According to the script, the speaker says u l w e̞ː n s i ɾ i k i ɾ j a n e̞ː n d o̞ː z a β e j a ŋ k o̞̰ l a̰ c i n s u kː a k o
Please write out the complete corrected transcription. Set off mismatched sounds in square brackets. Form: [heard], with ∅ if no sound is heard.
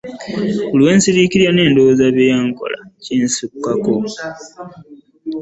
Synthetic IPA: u l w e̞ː n s i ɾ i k i ɾ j a n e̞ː n d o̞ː z a β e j a ŋ k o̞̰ l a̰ c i n s u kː a k o